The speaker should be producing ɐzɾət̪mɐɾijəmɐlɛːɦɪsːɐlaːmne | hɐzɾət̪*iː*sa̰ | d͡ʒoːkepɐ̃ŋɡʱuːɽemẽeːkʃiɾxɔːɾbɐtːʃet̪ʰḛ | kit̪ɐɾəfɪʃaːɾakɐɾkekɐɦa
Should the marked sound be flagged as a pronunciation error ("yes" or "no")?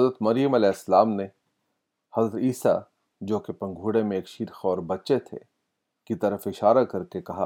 no